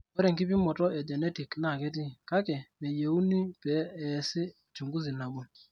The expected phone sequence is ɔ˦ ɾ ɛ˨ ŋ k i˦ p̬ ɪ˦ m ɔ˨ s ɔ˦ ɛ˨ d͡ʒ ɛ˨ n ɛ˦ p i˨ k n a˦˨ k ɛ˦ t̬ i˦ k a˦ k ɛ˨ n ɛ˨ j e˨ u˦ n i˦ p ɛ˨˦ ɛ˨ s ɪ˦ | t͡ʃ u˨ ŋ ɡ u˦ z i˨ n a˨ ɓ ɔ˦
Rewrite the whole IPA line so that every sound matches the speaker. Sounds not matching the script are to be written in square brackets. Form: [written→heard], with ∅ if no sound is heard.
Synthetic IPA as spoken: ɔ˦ ɾ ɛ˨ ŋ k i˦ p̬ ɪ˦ m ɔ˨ [s→t] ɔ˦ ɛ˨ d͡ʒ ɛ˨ n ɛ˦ [p→t] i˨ k n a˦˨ k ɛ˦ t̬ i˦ k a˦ k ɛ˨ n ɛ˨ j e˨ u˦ n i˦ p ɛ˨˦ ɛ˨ s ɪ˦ | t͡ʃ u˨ ŋ ɡ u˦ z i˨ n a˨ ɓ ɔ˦